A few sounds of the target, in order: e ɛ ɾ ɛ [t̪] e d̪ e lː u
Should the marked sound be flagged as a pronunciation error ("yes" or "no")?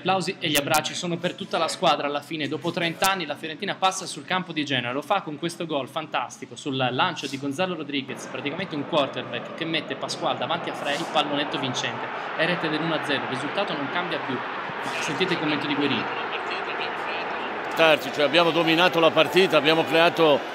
no